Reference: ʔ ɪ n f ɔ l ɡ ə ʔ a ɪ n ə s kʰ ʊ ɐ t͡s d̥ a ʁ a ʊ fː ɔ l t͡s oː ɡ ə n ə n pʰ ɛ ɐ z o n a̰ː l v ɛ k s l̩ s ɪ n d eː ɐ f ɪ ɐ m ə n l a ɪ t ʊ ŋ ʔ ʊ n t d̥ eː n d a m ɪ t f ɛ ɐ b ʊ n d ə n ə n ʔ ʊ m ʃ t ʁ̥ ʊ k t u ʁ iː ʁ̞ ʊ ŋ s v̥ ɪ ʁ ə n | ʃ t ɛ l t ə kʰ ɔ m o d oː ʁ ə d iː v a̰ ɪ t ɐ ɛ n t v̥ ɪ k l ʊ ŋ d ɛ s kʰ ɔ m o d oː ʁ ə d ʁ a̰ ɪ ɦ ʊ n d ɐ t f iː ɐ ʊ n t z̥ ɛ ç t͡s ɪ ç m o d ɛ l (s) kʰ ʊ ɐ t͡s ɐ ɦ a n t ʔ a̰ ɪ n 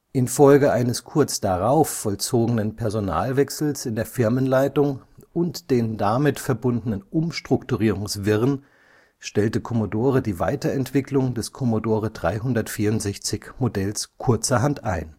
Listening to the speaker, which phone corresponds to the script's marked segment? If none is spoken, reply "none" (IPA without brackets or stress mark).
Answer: s